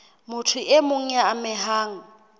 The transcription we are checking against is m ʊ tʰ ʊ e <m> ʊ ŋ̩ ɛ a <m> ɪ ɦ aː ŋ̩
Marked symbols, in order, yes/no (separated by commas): yes, yes